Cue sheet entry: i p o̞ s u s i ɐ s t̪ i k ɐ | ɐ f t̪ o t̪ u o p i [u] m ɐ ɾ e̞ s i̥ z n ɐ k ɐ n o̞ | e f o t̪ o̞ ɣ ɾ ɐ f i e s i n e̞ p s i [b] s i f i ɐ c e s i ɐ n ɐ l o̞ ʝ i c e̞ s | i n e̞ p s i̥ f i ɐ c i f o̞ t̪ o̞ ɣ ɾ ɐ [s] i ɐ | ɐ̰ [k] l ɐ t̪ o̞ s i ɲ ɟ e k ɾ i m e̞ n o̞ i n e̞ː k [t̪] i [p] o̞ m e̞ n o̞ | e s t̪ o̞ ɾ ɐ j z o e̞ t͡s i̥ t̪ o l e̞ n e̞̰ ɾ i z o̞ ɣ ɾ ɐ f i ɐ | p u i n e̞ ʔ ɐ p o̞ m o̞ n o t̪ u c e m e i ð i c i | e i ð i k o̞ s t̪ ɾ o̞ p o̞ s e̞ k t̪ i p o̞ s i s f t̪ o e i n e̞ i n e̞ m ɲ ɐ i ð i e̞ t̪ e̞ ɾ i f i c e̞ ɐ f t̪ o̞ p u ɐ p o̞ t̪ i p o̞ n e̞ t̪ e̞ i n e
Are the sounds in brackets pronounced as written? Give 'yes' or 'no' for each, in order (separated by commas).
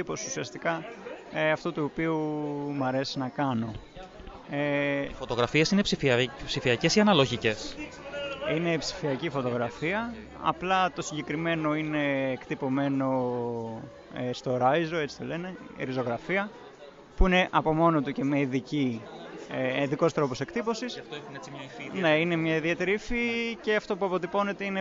yes, no, no, no, yes, yes